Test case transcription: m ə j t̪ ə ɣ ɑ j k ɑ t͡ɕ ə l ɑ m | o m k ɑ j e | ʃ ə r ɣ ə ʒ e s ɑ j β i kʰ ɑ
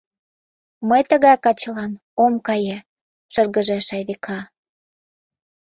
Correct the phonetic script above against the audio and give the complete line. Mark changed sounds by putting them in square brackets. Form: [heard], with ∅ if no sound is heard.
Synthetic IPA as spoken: m ə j t̪ ə ɣ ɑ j k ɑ t͡ɕ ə l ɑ [n] | o m k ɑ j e | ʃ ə r ɣ ə ʒ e [ʃ] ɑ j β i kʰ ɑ